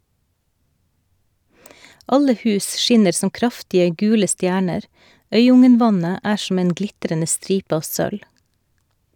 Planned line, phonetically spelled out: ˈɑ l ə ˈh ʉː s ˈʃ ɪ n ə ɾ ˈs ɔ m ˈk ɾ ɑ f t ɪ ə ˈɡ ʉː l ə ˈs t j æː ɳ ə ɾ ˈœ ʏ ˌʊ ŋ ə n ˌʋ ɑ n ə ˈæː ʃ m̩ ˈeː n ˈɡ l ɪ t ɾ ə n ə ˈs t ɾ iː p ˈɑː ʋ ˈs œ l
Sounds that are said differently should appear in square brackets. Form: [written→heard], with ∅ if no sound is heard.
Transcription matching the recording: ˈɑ l ə ˈh ʉː s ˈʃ ɪ n ə ɾ ˈs ɔ m ˈk ɾ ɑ f t ɪ ə ˈɡ ʉː l ə ˈs t j æː ɳ ə ɾ ˈœ ʏ ˌʊ ŋ ə n ˌʋ ɑ n ə ˈæː ʃ m̩ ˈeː n ˈɡ l ɪ t ɾ ə n ə ˈs t ɾ iː p ˈɑː ʋ ˈs œ l